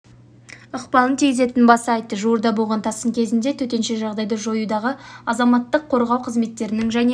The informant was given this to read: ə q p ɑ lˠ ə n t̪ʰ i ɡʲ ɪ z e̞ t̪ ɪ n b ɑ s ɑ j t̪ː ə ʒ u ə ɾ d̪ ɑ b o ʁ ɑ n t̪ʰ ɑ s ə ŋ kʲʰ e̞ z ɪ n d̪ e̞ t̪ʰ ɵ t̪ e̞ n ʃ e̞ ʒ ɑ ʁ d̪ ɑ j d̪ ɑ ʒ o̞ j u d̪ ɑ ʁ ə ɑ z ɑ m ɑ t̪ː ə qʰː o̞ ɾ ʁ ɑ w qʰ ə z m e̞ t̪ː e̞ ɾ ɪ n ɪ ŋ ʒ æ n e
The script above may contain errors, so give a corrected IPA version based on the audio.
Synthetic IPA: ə q p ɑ lˠ ə n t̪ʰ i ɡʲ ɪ z e̞ t̪ ɪ n b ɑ s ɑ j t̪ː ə ʒ u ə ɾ d̪ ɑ b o ʁ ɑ n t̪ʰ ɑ s ə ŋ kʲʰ e̞ z ɪ n d̪ e̞ t̪ʰ ɵ t̪ e̞ n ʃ e̞ ʒ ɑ ʁ d̪ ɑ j d̪ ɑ ʒ o̞ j u d̪ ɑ ʁ ə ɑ z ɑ m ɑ t̪ː ə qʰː o̞ ɾ ʁ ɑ w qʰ ə z m e̞ t̪ː e̞ ɾ ɪ n ɪ ŋ ʒ æ n e